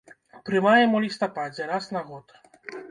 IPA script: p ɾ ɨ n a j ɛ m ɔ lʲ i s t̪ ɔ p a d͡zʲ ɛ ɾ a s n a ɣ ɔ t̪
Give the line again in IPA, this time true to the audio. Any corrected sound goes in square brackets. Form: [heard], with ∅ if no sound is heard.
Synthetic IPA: p ɾ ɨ [m] a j ɛ m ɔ lʲ i s t̪ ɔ p a d͡zʲ ɛ ɾ a s n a ɣ ɔ t̪

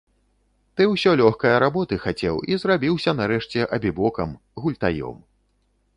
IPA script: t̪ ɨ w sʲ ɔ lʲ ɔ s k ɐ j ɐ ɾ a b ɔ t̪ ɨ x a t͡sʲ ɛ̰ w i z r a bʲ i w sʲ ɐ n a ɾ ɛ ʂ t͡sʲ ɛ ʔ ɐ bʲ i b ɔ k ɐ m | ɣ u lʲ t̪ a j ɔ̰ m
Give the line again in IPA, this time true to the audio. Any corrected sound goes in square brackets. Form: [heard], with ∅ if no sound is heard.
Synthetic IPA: t̪ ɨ w sʲ ɔ lʲ ɔ [x] k ɐ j ɐ ɾ a b ɔ t̪ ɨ x a t͡sʲ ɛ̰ w i z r a bʲ i w sʲ ɐ n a ɾ ɛ ʂ t͡sʲ ɛ ʔ ɐ bʲ i b ɔ k ɐ m | ɣ u lʲ t̪ a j ɔ̰ m

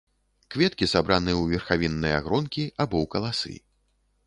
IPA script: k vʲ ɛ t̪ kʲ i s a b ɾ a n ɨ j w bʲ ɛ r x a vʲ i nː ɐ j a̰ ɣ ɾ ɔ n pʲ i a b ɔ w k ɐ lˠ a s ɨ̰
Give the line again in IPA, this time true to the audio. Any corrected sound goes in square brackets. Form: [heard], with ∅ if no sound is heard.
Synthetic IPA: k vʲ ɛ t̪ kʲ i s a b ɾ a n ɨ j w [vʲ] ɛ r x a vʲ i nː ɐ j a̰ ɣ ɾ ɔ n [kʲ] i a b ɔ w k ɐ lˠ a s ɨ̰

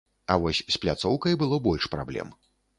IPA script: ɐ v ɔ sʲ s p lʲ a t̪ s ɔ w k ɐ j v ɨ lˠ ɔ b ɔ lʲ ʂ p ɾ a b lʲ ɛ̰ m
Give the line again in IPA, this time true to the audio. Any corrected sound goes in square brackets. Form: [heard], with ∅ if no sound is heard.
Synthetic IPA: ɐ v ɔ sʲ s p lʲ a t̪ s ɔ w k ɐ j [b] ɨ lˠ ɔ b ɔ lʲ ʂ p ɾ a b lʲ ɛ̰ m

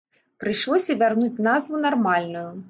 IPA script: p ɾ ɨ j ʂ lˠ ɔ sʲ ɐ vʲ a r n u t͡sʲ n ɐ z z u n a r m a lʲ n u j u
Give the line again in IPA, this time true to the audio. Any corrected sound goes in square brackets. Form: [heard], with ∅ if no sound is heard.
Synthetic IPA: p ɾ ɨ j ʂ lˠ ɔ sʲ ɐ vʲ a r n u t͡sʲ n [a] z [v] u n a r m a lʲ n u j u

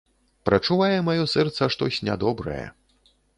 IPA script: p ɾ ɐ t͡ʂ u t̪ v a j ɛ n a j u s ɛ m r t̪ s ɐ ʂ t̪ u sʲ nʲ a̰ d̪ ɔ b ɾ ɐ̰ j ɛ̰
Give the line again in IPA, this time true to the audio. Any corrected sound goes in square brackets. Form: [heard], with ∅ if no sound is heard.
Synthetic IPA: p ɾ ɐ t͡ʂ u [∅] v a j ɛ [m] a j [ɔ] s ɛ [∅] r t̪ s ɐ ʂ t̪ [ɔ] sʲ nʲ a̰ d̪ ɔ b ɾ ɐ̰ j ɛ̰

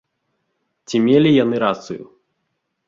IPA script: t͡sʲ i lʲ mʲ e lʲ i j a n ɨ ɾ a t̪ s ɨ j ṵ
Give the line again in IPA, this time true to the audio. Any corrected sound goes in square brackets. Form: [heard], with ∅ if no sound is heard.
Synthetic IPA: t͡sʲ i [∅] mʲ e lʲ i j a n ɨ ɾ a t̪ s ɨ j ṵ

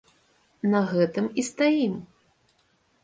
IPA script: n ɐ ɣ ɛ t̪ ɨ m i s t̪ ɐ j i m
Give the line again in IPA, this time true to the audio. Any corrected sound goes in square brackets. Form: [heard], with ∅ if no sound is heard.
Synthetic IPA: n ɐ ɣ ɛ t̪ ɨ m i s t̪ [a] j i m

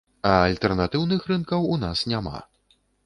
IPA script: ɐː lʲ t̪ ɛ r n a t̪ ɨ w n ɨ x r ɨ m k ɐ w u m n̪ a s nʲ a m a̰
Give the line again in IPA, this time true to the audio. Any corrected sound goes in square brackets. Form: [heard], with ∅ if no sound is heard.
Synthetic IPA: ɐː lʲ t̪ ɛ r n a t̪ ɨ w n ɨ x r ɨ [n] k ɐ w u [∅] n̪ a s nʲ a m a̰

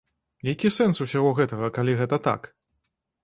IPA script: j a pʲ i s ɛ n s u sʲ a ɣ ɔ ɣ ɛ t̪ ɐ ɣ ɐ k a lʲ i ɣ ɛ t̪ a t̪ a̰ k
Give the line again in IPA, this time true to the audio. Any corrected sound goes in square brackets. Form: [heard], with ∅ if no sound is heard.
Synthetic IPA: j a [kʲ] i s ɛ n s u sʲ a ɣ ɔ ɣ ɛ t̪ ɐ ɣ ɐ k a lʲ i ɣ ɛ t̪ [ɐ] t̪ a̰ k

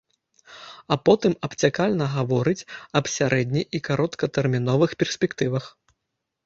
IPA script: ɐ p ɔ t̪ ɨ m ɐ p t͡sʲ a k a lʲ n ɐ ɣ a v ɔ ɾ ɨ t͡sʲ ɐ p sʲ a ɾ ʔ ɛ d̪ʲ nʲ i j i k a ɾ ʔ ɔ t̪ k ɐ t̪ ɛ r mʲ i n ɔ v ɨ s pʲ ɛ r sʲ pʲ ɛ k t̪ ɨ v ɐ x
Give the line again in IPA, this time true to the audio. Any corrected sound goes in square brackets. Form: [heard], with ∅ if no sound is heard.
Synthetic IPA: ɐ p ɔ t̪ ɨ m ɐ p t͡sʲ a k a lʲ n ɐ ɣ a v ɔ ɾ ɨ t͡sʲ ɐ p sʲ a ɾ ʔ ɛ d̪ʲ nʲ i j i k a ɾ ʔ ɔ t̪ k ɐ t̪ ɛ r mʲ i n ɔ v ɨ [x] pʲ ɛ r sʲ pʲ ɛ k t̪ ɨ v ɐ x

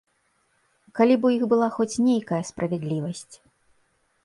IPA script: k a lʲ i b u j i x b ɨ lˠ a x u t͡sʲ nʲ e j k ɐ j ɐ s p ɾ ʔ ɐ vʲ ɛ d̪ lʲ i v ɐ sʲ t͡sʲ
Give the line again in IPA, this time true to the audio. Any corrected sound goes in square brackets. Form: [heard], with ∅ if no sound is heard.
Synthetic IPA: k a lʲ i b u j i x b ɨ lˠ a x [ɔ] t͡sʲ nʲ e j k ɐ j ɐ s p ɾ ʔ ɐ vʲ ɛ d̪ lʲ i v ɐ sʲ t͡sʲ

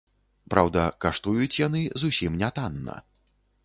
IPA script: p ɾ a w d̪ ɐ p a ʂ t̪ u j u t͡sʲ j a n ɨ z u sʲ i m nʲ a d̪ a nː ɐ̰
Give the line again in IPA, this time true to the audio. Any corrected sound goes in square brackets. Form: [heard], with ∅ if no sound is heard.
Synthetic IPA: p ɾ a w d̪ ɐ [k] a ʂ t̪ u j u t͡sʲ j a n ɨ z u sʲ i m nʲ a [t̪] a nː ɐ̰

